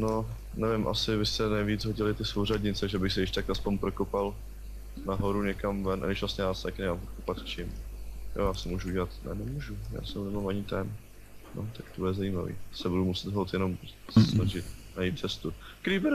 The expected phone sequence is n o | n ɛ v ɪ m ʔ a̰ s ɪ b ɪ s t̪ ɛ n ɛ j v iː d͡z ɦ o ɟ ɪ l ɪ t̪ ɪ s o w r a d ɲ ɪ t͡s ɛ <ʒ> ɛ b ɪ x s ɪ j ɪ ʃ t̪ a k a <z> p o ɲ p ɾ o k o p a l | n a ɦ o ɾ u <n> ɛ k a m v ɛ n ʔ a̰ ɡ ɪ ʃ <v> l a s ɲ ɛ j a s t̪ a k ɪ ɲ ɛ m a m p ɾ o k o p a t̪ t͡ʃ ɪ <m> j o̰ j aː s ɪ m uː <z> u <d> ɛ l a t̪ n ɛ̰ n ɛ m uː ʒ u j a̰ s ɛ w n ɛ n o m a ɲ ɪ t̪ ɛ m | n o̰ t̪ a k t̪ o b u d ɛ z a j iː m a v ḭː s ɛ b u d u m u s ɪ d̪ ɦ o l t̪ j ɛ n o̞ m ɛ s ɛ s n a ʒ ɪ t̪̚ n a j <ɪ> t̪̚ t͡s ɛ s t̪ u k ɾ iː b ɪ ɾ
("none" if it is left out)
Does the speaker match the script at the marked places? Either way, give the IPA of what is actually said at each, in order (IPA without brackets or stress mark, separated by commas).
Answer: ʒ, s, ɲ, v, m, ʒ, ɟ, i